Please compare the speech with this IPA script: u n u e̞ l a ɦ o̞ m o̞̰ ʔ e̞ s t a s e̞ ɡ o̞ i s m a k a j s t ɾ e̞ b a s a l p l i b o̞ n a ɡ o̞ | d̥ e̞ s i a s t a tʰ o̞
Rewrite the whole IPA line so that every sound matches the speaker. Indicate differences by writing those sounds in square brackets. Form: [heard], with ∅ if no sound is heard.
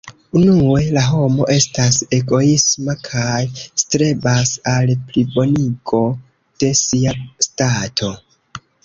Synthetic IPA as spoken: u n u e̞ l a ɦ o̞ m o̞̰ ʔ e̞ s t a s e̞ ɡ o̞ i s m a [kʰ] a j s t ɾ e̞ b a s a l p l i b o̞ n [i] ɡ o̞ | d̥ e̞ s i a s t a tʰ o̞